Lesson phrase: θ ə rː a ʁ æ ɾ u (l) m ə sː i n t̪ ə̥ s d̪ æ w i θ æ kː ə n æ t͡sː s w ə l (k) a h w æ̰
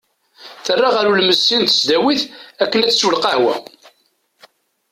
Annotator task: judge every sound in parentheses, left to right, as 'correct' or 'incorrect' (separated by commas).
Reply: correct, incorrect